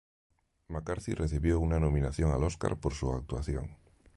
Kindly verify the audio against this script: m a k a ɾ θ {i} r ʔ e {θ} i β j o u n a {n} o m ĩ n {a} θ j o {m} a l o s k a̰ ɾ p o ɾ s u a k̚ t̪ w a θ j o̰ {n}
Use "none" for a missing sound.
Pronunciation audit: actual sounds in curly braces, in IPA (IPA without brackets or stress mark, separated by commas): i, θ, n, a, ŋ, ŋ